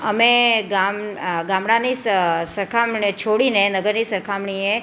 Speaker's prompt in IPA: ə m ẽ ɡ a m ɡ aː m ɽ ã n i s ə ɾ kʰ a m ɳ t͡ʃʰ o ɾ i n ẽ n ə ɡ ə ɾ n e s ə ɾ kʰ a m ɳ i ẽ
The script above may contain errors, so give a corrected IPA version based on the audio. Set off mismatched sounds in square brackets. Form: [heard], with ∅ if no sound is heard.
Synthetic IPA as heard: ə m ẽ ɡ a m ɡ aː m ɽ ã n i s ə ɾ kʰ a m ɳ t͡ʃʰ o [ɽ] i n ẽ n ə ɡ ə ɾ n [i] s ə ɾ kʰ a m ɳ i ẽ